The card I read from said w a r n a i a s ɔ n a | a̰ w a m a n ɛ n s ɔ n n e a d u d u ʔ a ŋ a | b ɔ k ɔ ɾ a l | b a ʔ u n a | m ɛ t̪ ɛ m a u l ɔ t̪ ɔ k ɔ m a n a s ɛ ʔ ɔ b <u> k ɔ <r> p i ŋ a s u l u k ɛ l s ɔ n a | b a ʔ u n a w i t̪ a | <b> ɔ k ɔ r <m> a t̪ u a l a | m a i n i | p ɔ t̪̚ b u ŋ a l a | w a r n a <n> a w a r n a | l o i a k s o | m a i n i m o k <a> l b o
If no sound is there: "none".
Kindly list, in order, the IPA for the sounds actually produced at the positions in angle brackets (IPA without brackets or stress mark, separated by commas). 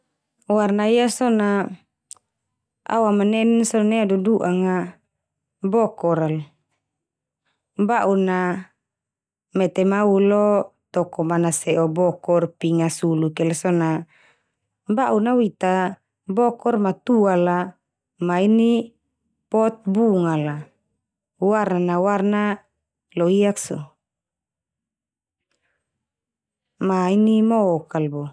ɔ, r, b, m, n, a